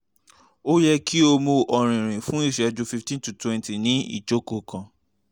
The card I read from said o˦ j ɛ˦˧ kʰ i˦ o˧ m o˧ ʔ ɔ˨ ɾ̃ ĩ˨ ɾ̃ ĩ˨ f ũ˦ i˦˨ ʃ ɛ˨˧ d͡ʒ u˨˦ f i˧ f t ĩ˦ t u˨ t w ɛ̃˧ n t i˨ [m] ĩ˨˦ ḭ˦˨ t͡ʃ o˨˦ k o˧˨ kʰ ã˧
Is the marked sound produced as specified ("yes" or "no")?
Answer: no